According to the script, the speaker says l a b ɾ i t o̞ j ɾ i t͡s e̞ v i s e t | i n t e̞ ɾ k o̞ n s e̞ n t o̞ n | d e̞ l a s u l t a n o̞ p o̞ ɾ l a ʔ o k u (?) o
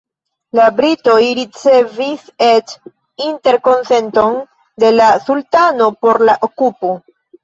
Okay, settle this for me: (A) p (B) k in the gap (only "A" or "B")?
A